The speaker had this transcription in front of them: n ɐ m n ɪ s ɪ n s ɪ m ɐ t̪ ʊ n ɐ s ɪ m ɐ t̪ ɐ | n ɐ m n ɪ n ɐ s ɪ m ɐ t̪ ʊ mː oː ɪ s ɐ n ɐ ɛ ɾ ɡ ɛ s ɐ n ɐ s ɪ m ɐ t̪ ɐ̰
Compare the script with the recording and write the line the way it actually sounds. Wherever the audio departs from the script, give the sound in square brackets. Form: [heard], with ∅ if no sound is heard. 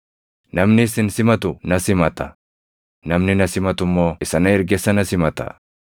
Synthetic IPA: n ɐ m n ɪ s ɪ n s ɪ m ɐ t̪ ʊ n ɐ s ɪ m ɐ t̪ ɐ | n ɐ m n ɪ n ɐ s ɪ m ɐ t̪ ʊ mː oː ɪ s ɐ n ɐ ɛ ɾ ɡ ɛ s ɐ n ɐ s ɪ m ɐ t̪ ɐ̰